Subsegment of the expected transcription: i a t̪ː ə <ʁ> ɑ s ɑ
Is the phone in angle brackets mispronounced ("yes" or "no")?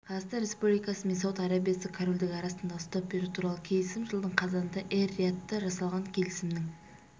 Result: yes